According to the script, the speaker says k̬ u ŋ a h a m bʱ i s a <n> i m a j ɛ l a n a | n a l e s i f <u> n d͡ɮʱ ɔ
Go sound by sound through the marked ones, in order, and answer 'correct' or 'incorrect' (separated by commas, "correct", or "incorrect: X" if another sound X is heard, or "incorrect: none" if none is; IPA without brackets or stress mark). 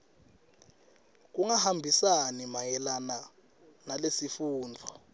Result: correct, incorrect: uː